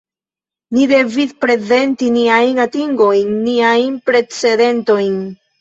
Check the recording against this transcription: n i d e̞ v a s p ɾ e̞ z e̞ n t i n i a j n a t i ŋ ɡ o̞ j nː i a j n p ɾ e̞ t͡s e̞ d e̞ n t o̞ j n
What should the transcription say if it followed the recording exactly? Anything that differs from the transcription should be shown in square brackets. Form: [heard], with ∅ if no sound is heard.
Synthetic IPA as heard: n i d e̞ v [i] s p ɾ e̞ z e̞ n t i n i a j n a t i ŋ ɡ o̞ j nː i a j n p ɾ e̞ t͡s e̞ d e̞ n t o̞ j n